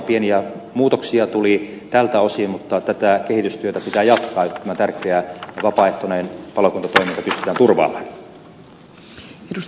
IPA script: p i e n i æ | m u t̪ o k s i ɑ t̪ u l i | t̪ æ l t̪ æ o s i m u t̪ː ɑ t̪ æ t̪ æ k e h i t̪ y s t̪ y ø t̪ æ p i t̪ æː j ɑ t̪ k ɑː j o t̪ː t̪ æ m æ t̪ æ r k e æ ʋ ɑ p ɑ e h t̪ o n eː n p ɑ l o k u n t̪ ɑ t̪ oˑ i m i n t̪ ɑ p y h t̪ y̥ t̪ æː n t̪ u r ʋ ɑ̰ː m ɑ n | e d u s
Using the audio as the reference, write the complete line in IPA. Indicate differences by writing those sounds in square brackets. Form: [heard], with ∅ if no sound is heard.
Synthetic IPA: p i e n i æ | m [uː] t̪ o k s i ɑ t̪ u l i | t̪ æ l t̪ æ o s i m u t̪ː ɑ t̪ æ t̪ æ k e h i t̪ y s t̪ y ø t̪ æ p i t̪ æː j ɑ t̪ k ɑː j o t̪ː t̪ æ m æ t̪ æ r k e æ ʋ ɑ p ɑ e h t̪ o n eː n p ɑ l o k u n t̪ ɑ t̪ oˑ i m i n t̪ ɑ p y [s] t̪ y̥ t̪ æː n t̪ u r ʋ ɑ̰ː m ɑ n | e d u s

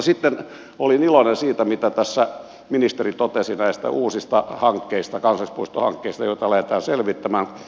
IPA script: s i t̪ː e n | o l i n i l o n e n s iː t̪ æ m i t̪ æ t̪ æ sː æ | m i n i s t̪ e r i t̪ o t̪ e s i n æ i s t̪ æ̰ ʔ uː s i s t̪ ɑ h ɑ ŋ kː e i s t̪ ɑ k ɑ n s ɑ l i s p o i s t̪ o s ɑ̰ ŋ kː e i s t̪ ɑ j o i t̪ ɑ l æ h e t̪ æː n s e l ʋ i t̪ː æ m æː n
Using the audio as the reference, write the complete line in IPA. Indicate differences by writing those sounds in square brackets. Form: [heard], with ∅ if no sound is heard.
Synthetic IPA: s i t̪ː e n | o l i n i l o n e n s iː t̪ æ m i t̪ æ t̪ æ sː æ | m i n i s t̪ e r i t̪ o t̪ e s i n æ i s t̪ æ̰ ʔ uː s i s t̪ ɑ h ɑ ŋ kː e i s t̪ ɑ k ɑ n s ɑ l i s p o i s t̪ o [h] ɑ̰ ŋ kː e i s t̪ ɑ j o i t̪ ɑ l æ h e t̪ æː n s e l ʋ i t̪ː æ m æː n

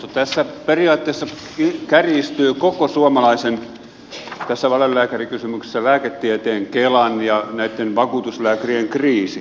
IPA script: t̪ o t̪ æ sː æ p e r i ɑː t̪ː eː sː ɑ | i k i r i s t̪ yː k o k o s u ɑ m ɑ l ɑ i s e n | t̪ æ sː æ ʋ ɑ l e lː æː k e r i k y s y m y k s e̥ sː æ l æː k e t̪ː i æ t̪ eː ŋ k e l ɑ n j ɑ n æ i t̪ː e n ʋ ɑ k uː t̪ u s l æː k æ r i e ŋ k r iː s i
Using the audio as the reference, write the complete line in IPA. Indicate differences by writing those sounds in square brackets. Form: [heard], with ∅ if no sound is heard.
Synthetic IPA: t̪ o t̪ æ sː æ p e r i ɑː t̪ː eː sː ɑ | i k [æ] r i s t̪ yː k o k o s u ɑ m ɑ l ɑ i s e n | t̪ æ sː æ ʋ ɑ l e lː æː k [æ] r i k y s y m y k s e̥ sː æ l æː k e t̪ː i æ t̪ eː ŋ k e l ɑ n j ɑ n æ i t̪ː e n ʋ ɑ k uː t̪ u s l æː k æ r i e ŋ k r iː s i

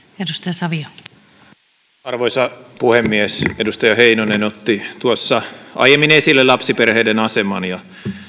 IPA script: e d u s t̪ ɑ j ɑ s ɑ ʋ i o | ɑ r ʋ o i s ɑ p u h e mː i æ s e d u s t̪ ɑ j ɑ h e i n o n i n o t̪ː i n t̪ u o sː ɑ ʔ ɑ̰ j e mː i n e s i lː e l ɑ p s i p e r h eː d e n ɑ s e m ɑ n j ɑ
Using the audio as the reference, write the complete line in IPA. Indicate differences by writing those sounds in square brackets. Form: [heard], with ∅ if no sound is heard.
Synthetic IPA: e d u s t̪ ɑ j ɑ s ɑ ʋ i o | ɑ r ʋ o i s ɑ p u h e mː i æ s e d u s t̪ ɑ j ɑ h e i n o n [e] n o t̪ː i [∅] t̪ u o sː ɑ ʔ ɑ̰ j e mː i n e s i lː e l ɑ p s i p e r h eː d e n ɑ s e m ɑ n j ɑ

